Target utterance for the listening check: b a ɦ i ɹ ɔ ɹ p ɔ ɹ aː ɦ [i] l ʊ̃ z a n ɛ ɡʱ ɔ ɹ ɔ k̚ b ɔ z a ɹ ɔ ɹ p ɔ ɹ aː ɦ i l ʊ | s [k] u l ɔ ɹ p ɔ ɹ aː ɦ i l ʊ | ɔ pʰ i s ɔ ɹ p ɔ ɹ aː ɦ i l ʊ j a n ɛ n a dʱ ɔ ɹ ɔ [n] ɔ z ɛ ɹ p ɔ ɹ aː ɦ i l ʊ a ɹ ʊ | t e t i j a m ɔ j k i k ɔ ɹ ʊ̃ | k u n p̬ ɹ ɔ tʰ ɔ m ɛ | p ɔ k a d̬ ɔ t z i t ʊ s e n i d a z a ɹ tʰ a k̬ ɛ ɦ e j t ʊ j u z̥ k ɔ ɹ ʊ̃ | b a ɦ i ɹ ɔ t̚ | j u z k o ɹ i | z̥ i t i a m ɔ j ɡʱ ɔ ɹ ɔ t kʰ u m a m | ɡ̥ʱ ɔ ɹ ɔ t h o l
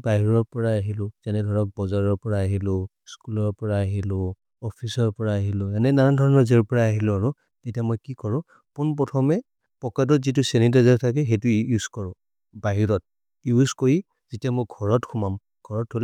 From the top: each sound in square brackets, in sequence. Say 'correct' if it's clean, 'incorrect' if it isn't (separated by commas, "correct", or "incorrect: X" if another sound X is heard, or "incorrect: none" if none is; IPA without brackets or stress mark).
correct, correct, correct